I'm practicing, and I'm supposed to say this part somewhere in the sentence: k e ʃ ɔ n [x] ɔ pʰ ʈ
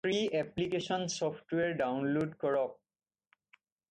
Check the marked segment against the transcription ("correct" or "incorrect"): incorrect